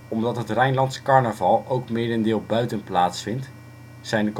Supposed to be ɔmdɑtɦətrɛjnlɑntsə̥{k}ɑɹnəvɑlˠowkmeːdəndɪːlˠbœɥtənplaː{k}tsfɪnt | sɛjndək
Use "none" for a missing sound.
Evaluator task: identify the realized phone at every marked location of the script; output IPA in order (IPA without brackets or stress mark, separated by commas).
k, none